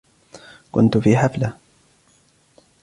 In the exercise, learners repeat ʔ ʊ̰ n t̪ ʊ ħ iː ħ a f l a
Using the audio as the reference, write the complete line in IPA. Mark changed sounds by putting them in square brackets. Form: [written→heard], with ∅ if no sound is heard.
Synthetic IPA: [ʔ→k] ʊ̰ n t̪ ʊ [ħ→f] iː ħ a f l a